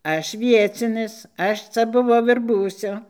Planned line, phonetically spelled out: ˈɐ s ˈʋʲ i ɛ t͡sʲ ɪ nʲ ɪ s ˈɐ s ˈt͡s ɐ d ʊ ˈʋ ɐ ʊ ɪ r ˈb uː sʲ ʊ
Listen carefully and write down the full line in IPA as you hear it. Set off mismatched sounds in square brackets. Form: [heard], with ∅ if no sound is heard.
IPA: ˈɐ [ʃ] ˈʋʲ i ɛ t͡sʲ ɪ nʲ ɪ s ˈɐ [ʃ] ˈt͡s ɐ [b] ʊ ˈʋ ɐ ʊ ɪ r ˈb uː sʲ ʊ